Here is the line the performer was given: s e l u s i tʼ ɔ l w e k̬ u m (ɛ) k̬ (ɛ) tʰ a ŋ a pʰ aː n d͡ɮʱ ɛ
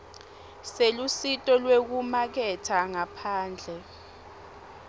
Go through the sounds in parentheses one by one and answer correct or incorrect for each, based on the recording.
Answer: incorrect: a, correct

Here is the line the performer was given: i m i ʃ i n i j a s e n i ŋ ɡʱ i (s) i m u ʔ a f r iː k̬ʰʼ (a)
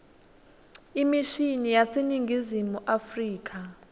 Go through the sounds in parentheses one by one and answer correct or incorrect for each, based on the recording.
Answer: incorrect: z, correct

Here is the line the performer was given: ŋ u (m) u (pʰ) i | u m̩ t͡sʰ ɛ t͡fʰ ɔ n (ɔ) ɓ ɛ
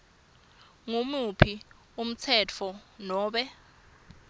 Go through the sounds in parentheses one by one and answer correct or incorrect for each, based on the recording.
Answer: correct, correct, incorrect: ɔː

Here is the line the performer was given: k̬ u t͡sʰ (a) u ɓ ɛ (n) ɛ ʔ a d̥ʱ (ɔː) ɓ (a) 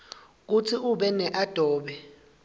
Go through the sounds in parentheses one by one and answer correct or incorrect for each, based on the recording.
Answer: incorrect: i, correct, correct, incorrect: ɛ

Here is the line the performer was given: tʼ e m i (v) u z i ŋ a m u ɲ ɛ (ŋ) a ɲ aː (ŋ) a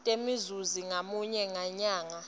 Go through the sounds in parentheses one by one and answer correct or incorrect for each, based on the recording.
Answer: incorrect: z, correct, correct

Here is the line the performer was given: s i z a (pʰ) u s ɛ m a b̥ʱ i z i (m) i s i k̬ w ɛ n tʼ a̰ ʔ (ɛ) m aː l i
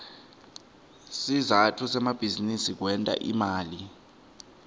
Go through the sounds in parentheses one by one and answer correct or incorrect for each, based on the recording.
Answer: incorrect: tʰ, incorrect: n, incorrect: i

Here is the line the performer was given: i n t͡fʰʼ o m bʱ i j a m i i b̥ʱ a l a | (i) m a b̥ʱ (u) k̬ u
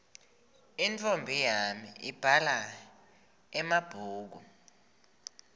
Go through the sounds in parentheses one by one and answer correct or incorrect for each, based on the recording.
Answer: incorrect: ɛ, incorrect: uː

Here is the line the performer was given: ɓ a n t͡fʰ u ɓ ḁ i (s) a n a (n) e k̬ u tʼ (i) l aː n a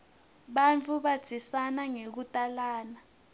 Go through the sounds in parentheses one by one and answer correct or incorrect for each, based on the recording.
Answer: correct, incorrect: ŋ, incorrect: a

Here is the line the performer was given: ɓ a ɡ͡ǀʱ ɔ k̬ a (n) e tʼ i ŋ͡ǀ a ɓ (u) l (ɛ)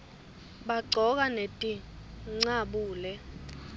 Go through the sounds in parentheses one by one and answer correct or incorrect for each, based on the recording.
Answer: correct, incorrect: uː, correct

